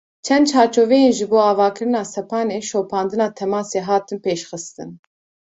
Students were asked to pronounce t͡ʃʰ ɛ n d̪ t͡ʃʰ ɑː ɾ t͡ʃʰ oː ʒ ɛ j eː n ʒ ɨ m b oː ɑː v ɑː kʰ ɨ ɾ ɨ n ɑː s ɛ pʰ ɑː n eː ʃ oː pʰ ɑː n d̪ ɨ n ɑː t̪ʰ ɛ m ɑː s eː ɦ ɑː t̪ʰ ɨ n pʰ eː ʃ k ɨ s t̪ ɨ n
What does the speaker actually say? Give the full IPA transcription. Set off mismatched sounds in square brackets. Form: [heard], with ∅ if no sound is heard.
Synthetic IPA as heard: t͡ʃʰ ɛ n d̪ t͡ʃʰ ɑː ɾ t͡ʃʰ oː [v] ɛ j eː n ʒ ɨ [∅] b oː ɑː v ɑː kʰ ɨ ɾ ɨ n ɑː s ɛ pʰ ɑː n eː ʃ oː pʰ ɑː n d̪ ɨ n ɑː t̪ʰ ɛ m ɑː s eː ɦ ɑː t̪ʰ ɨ n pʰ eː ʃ [x] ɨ s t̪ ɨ n